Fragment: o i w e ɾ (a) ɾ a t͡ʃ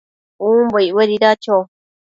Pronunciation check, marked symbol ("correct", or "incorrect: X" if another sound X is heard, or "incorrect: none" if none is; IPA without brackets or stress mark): incorrect: i